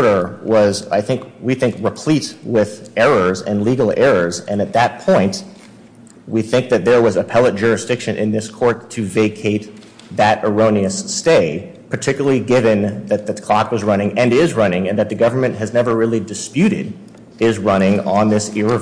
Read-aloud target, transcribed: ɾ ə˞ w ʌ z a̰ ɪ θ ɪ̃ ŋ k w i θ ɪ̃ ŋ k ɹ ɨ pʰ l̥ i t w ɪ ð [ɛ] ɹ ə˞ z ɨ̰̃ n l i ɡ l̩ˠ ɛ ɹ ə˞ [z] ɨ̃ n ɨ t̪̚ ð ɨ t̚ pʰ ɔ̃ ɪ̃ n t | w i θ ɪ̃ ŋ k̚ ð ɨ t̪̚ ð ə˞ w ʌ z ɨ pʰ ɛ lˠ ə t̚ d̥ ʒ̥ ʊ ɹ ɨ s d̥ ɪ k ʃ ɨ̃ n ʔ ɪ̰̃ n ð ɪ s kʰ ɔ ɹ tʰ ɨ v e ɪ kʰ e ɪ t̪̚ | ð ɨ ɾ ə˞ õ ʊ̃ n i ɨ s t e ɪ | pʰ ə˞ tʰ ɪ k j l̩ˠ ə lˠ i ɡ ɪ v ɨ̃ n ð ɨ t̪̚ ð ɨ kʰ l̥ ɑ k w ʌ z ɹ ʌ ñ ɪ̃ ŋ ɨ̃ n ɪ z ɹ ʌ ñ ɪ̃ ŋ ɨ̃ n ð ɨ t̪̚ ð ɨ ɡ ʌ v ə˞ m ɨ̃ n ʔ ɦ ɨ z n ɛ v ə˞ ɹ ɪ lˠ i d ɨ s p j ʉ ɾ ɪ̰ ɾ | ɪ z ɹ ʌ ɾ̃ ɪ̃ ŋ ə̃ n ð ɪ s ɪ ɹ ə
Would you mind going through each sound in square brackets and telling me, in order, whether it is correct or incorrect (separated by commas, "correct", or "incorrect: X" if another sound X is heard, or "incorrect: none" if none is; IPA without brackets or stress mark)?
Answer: correct, correct